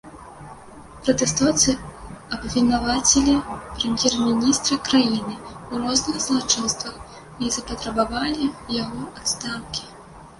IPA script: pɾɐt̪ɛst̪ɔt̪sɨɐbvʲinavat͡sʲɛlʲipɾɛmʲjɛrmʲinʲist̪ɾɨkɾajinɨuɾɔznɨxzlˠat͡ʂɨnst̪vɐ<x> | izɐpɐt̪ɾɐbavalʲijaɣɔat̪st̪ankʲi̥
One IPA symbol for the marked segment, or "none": x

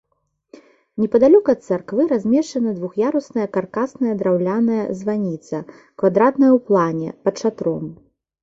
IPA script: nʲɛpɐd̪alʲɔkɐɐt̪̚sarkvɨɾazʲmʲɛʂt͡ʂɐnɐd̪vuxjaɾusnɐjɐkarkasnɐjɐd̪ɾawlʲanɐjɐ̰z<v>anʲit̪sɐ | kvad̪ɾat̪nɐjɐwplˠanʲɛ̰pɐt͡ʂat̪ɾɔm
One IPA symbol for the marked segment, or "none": v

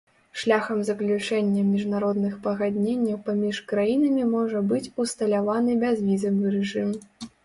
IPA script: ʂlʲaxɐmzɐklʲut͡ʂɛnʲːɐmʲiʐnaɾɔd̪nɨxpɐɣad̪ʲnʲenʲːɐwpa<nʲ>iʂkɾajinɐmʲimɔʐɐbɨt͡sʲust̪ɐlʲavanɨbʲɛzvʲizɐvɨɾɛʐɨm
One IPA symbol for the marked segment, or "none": mʲ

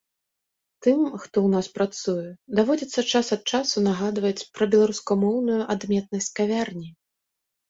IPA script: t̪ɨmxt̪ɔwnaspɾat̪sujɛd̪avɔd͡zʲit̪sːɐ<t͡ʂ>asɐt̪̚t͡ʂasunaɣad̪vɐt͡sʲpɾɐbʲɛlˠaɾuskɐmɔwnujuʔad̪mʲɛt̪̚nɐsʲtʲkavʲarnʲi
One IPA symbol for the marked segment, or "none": t͡ʂ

